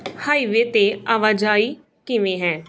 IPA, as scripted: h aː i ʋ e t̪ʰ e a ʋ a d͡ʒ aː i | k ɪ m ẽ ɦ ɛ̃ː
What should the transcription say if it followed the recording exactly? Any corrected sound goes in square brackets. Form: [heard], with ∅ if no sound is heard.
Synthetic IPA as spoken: h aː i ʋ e [t̪] e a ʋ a d͡ʒ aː i | k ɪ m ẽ ɦ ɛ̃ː